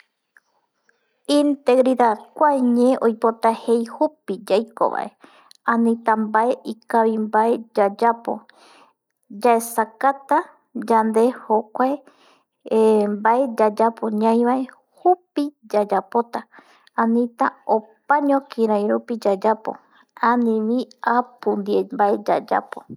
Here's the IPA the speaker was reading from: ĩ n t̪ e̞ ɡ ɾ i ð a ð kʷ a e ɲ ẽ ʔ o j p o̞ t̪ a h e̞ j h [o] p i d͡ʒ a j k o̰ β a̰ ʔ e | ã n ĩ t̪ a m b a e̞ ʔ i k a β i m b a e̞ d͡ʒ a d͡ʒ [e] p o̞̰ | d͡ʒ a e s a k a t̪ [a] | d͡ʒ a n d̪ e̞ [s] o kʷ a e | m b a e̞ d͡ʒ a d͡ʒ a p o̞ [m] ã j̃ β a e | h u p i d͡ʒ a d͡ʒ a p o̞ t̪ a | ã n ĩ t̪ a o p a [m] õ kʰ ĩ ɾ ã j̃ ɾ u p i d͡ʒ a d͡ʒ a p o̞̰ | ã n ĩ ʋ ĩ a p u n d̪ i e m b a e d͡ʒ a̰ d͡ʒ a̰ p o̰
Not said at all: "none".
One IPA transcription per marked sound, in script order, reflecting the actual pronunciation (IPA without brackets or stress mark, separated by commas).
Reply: u, a, a, h, ɲ, ɲ